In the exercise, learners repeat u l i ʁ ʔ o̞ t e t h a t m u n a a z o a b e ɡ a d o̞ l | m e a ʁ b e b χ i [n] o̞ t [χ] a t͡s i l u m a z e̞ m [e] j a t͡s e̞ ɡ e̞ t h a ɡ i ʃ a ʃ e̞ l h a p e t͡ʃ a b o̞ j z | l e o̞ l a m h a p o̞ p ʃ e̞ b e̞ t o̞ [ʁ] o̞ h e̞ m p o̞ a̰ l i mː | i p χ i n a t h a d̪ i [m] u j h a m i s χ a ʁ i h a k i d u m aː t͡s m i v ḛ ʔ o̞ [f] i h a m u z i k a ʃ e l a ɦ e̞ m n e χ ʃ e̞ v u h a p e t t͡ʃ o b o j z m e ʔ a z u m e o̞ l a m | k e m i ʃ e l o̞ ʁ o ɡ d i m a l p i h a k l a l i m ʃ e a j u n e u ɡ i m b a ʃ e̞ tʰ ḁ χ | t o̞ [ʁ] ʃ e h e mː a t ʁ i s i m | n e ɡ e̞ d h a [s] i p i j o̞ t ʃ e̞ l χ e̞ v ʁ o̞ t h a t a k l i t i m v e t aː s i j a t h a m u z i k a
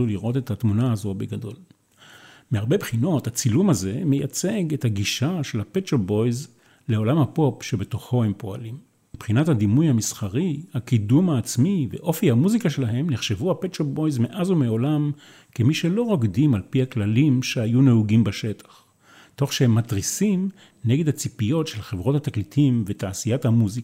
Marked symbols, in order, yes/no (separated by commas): yes, no, yes, no, yes, yes, no, no